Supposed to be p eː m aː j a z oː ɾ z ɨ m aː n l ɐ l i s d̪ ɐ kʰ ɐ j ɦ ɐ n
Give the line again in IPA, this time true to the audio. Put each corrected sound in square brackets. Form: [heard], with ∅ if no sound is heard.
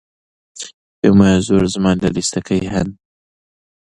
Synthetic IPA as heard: p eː m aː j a z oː ɾ z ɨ m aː n l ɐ l i s [t̪] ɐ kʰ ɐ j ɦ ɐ n